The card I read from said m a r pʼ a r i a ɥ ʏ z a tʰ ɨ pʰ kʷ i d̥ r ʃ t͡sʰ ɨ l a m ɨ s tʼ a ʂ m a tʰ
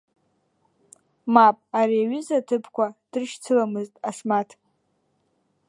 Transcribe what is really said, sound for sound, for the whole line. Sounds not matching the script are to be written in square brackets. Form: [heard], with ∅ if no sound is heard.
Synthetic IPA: m a [∅] pʼ a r i a ɥ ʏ z a tʰ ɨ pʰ kʷ [a] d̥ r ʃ t͡sʰ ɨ l a m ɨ [z] tʼ a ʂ m a tʰ